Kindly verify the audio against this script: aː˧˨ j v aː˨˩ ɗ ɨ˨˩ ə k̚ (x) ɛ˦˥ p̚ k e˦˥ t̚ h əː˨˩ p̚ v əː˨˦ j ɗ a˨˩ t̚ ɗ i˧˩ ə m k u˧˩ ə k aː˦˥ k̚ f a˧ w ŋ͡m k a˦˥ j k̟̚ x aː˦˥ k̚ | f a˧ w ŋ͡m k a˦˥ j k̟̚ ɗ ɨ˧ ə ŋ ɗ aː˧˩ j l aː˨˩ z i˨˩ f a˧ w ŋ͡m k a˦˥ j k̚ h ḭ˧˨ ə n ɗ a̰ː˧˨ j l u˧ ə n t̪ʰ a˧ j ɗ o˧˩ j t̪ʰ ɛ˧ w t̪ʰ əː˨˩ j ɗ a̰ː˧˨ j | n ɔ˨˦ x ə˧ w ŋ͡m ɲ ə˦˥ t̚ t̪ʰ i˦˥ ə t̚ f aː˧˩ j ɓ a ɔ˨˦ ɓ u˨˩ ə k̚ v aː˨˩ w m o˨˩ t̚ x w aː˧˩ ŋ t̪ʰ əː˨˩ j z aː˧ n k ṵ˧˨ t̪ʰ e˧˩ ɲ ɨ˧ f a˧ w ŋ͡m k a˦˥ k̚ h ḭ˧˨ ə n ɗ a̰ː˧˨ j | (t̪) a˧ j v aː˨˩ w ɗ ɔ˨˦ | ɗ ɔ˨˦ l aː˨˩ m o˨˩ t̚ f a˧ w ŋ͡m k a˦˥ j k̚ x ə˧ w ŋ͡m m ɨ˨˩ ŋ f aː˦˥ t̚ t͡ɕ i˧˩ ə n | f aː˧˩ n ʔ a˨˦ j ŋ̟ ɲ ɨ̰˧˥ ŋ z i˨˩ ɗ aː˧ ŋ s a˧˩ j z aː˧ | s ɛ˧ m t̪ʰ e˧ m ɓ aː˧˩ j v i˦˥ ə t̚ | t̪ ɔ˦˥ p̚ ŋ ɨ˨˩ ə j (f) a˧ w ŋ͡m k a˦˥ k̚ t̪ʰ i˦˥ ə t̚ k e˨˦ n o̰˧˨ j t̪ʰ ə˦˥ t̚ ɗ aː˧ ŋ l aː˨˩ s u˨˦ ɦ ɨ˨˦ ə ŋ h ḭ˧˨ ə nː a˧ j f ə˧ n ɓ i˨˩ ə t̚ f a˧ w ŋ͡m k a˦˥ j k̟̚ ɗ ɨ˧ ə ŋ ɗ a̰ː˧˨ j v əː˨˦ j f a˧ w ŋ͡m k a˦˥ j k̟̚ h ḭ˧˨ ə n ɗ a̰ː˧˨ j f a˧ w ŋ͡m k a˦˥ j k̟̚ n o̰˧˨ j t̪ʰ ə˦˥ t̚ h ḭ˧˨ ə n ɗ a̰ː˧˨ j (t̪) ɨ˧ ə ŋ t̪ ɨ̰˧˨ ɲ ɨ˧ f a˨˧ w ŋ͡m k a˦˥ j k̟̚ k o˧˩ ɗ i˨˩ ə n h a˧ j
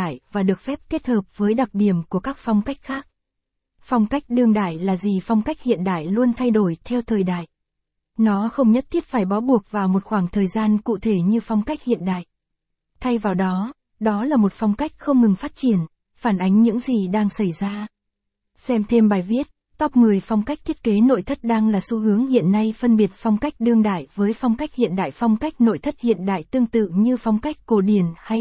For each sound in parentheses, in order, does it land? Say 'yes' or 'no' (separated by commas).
no, no, yes, yes